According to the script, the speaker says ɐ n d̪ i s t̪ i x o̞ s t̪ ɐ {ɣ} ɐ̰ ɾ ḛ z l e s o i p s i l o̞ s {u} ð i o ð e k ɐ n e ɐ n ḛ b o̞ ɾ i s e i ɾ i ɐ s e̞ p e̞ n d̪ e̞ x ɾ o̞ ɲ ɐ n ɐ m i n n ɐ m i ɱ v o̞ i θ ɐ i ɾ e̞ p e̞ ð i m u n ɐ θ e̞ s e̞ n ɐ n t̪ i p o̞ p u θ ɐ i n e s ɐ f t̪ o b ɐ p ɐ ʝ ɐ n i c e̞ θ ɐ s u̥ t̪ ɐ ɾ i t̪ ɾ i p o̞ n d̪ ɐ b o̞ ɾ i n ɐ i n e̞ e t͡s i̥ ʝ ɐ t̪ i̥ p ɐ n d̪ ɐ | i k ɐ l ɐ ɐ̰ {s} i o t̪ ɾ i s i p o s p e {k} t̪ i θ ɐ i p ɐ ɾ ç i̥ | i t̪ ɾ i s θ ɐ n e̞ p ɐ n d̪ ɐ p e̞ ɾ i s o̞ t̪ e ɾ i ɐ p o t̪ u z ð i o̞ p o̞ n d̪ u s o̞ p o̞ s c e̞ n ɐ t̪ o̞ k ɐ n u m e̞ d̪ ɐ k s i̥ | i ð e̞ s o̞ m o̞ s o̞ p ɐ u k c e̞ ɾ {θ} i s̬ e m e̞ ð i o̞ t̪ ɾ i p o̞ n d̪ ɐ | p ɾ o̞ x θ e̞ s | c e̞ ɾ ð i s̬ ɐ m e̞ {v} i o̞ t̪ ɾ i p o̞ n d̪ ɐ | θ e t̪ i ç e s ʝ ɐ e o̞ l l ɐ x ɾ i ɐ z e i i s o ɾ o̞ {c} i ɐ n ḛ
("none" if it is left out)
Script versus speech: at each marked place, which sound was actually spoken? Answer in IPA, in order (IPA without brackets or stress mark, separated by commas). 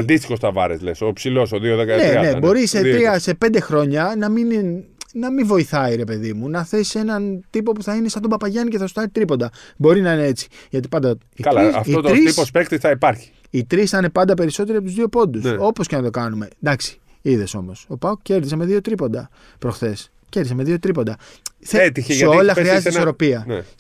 v, o, f, k, ð, ð, p